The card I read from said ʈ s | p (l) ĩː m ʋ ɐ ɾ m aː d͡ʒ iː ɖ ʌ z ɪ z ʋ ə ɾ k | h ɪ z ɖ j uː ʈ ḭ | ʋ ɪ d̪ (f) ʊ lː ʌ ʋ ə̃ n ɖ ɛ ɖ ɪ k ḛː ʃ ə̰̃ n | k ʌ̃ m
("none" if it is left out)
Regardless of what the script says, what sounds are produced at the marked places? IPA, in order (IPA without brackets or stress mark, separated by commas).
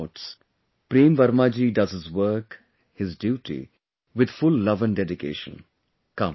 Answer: ɾ, f